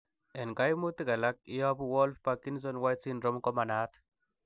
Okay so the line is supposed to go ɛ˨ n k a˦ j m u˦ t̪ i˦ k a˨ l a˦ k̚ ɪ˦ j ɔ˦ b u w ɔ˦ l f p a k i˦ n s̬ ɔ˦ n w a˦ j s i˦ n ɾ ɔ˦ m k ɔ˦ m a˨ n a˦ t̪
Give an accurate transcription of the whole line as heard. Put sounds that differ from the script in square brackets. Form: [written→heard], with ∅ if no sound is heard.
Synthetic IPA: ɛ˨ n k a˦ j m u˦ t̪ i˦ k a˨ l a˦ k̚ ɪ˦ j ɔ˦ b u w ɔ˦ l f p a k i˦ n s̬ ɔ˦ n w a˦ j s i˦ n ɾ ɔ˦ m k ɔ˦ m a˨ n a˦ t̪